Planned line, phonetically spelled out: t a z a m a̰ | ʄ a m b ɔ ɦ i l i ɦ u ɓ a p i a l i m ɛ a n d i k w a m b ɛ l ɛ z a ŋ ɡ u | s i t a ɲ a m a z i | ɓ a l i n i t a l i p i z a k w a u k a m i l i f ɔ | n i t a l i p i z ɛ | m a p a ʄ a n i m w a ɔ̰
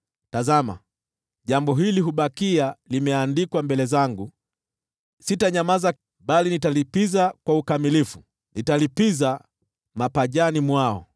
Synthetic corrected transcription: t a z a m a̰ | ʄ a m b ɔ ɦ i l i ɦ u ɓ a k i a l i m ɛ a n d i k w a m b ɛ l ɛ z a ŋ ɡ u | s i t a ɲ a m a z a | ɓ a l i n i t a l i p i z a k w a u k a m i l i f u | n i t a l i p i z a | m a p a ʄ a n i m w a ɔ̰